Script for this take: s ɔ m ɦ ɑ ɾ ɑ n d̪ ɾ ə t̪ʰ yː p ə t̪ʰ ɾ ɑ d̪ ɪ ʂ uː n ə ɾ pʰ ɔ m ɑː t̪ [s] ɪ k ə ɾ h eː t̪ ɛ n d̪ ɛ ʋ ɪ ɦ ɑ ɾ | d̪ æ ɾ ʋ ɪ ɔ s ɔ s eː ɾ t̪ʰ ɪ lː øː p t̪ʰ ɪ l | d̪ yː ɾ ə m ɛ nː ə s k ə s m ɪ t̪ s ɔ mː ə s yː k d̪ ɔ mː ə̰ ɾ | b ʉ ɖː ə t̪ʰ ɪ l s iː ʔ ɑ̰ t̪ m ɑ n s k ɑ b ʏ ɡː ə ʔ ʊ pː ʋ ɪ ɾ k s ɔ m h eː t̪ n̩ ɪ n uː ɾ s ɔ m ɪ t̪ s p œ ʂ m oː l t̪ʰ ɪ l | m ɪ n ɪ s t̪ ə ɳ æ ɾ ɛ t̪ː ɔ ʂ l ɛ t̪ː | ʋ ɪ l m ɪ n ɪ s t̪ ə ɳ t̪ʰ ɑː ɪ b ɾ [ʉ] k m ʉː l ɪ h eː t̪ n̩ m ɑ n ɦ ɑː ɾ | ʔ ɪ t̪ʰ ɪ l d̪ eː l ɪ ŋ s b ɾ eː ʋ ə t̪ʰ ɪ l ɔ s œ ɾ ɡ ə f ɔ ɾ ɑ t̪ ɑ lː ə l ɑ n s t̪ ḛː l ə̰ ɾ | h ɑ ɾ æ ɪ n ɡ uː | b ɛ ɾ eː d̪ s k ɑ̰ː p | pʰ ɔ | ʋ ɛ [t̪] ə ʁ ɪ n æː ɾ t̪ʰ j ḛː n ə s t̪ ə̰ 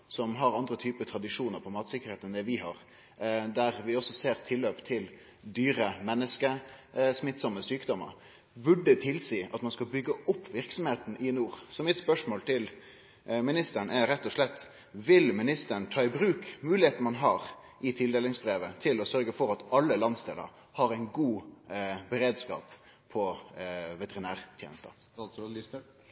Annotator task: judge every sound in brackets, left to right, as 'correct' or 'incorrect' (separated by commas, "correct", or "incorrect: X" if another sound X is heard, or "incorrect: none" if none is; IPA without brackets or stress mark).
correct, incorrect: ʉː, correct